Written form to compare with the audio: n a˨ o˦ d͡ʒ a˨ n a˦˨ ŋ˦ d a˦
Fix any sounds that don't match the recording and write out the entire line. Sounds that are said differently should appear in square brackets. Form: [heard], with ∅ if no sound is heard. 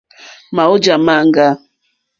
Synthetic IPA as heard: [m] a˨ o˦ d͡ʒ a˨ [m] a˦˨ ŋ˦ [ɡ] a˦